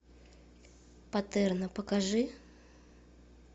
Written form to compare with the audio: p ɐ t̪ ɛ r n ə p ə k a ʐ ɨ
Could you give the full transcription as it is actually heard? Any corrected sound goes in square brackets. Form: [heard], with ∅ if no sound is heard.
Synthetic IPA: p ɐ t̪ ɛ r n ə p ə k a ʐ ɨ